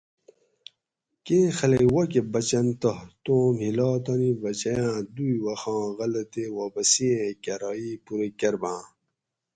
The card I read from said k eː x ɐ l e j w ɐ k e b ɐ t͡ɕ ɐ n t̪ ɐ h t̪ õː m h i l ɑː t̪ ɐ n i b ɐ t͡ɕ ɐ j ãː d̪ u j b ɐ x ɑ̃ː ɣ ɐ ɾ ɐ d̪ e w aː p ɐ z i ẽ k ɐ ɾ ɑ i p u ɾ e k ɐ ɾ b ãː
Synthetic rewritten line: k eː x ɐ l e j w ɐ k e b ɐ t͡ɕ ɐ n t̪ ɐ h t̪ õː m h i l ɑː t̪ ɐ n i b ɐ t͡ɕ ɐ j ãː d̪ u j w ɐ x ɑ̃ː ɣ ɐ l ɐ t̪ e w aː p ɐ s i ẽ k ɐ ɾ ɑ i p u ɾ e k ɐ ɾ b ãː